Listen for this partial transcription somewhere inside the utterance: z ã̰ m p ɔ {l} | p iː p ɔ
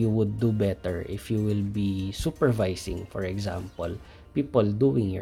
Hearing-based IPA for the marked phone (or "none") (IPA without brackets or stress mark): l